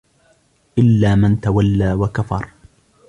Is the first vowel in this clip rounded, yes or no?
no